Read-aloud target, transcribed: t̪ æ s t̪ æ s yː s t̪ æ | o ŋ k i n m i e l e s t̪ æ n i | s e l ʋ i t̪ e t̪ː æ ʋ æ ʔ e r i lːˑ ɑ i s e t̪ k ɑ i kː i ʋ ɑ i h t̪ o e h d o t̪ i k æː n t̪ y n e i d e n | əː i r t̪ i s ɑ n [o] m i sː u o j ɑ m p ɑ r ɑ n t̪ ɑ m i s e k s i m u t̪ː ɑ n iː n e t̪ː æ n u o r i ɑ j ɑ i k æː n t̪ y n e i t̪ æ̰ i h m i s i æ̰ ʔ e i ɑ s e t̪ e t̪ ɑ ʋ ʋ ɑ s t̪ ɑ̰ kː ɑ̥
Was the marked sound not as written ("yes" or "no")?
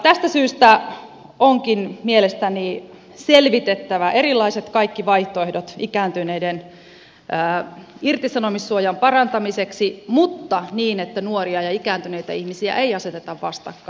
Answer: no